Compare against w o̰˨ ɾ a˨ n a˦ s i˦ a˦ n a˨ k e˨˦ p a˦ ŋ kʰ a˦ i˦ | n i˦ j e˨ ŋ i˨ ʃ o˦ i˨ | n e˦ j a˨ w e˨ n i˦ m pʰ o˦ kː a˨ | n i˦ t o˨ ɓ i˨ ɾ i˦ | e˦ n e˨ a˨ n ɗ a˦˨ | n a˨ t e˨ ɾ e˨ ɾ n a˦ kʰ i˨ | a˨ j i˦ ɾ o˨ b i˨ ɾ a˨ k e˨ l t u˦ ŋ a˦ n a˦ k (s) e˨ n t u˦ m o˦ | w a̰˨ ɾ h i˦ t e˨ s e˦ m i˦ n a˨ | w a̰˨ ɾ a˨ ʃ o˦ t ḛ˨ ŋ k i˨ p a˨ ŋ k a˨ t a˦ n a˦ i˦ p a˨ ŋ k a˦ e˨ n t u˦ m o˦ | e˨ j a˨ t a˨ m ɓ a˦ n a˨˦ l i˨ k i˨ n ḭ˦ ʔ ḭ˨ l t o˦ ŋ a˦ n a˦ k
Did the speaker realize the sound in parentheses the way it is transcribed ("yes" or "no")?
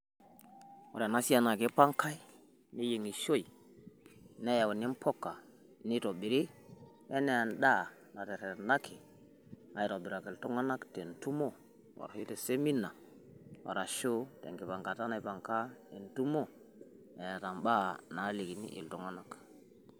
no